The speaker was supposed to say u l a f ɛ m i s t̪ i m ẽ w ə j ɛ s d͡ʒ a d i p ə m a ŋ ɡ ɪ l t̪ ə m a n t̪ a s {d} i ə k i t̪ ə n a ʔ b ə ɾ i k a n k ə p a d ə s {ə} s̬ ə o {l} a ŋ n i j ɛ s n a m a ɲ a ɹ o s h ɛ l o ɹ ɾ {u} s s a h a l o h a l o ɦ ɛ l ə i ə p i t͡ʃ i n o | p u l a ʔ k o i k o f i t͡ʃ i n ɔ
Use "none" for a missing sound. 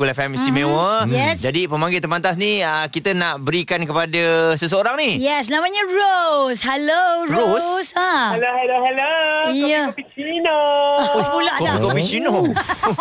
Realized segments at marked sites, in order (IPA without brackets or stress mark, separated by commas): n, ə, ɾ, o